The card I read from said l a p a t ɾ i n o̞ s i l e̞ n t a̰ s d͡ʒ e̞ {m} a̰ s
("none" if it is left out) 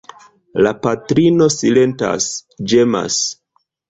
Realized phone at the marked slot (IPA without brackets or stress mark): m